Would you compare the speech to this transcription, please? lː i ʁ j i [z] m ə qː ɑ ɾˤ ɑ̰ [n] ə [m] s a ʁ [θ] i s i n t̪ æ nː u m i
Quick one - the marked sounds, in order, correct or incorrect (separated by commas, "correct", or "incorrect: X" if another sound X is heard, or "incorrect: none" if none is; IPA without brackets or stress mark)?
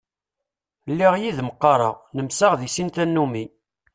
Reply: incorrect: ð, correct, correct, incorrect: ð